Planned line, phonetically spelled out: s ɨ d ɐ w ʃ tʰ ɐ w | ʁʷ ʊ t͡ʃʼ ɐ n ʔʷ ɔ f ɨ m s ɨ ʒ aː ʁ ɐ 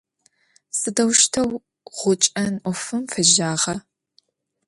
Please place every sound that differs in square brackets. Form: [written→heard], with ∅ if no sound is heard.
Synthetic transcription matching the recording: s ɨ d ɐ w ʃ tʰ ɐ w | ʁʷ ʊ t͡ʃʼ ɐ n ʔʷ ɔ f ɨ m [s→f] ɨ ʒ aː ʁ ɐ